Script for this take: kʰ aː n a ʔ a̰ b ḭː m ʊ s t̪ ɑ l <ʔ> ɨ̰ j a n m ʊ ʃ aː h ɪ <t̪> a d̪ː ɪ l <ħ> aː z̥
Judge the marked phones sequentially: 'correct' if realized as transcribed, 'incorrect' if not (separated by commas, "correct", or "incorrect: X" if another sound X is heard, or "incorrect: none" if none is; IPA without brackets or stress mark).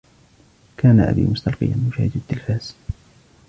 incorrect: q, incorrect: d̪, incorrect: f